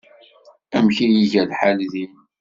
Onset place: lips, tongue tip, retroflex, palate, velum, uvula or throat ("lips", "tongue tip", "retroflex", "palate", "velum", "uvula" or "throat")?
lips